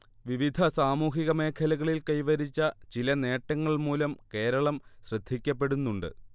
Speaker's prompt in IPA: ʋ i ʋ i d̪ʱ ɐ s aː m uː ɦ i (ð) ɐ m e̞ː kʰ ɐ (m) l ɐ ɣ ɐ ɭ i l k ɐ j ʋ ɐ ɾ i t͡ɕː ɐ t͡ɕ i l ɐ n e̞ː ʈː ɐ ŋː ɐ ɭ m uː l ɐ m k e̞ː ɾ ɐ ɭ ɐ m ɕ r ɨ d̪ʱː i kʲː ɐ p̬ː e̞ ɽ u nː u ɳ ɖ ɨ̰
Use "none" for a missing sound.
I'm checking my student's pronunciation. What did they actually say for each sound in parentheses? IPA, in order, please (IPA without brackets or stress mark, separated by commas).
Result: ɣ, none